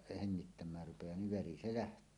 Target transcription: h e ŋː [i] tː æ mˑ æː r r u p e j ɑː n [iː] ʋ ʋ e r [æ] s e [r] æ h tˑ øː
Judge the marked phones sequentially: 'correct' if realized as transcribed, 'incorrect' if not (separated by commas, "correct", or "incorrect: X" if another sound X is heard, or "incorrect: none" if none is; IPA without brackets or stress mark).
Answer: correct, incorrect: i, incorrect: i, incorrect: l